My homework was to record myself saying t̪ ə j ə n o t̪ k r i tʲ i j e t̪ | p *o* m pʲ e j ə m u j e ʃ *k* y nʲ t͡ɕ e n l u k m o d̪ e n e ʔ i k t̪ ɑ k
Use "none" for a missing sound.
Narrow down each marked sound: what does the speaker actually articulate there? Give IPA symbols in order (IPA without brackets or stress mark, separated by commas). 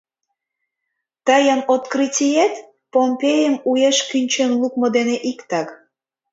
o, k